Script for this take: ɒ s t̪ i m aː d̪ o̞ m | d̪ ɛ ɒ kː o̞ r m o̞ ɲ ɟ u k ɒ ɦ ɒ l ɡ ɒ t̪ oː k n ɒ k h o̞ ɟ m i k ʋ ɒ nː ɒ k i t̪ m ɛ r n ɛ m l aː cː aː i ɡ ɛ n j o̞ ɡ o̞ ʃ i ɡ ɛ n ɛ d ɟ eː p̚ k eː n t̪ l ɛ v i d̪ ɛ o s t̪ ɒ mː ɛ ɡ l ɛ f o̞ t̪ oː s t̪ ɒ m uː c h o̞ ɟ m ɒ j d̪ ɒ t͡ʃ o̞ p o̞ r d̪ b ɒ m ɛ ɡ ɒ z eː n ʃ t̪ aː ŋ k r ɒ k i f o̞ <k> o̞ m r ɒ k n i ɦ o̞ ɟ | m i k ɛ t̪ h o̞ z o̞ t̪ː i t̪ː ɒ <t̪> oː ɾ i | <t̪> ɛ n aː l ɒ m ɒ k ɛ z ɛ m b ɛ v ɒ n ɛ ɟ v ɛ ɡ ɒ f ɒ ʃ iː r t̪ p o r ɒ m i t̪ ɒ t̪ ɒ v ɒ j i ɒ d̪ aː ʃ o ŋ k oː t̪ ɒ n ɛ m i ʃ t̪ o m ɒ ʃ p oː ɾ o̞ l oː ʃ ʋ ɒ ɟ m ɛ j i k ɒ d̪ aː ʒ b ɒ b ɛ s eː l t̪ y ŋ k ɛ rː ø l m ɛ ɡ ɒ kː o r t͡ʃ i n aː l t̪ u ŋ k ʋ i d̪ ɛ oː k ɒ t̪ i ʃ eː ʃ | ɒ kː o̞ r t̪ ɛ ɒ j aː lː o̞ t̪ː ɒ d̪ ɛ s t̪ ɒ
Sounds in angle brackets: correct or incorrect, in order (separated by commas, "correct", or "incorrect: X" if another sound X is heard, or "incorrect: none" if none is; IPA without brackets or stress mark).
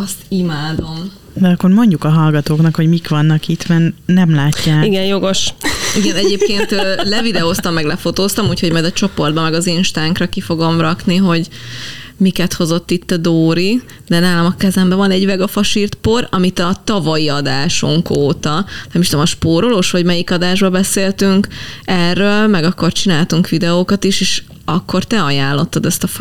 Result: incorrect: ɡ, incorrect: d̪, incorrect: d̪